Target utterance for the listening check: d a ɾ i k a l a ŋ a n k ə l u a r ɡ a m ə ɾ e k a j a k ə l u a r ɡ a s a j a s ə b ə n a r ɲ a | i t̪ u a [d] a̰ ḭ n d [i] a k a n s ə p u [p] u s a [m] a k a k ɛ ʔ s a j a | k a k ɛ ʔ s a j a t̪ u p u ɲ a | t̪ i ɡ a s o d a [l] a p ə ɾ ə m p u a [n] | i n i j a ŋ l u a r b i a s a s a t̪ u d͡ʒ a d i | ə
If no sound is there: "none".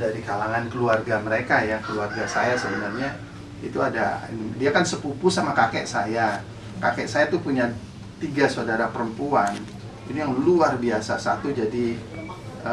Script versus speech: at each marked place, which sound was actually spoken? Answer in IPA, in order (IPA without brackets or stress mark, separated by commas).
d, i, p, m, ɾ, n